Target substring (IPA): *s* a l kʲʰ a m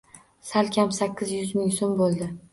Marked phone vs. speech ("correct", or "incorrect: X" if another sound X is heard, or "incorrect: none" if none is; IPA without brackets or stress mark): correct